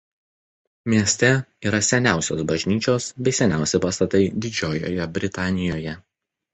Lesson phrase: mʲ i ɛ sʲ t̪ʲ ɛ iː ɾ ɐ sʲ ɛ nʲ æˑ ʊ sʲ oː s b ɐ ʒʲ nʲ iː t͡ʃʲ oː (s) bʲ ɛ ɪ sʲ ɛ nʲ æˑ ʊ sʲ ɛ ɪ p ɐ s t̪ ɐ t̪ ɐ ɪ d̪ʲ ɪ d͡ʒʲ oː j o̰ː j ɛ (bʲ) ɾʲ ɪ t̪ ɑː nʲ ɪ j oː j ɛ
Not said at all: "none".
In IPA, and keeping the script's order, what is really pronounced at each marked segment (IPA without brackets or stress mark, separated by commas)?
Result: s, bʲ